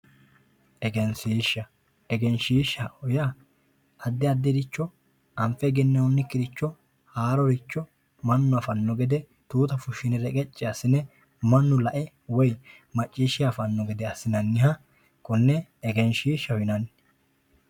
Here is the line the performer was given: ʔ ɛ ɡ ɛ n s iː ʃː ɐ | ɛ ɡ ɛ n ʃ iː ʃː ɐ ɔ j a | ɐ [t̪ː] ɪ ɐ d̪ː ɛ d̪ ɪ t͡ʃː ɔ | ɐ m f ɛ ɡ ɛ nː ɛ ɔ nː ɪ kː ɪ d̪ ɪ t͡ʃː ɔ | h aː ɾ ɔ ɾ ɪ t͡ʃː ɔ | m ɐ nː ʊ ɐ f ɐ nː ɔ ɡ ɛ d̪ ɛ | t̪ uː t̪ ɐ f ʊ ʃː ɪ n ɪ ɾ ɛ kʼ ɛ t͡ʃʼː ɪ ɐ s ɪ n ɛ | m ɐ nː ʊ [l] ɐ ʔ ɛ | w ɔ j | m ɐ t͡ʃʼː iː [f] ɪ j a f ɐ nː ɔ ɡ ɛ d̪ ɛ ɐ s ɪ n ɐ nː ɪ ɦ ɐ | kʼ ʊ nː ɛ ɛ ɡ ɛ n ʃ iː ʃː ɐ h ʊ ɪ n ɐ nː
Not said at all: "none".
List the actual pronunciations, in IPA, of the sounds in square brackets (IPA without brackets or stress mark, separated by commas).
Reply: d̪ː, l, ʃ